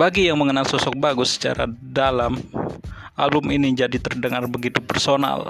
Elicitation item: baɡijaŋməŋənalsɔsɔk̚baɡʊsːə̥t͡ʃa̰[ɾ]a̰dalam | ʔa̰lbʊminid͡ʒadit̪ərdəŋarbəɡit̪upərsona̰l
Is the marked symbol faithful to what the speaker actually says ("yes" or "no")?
yes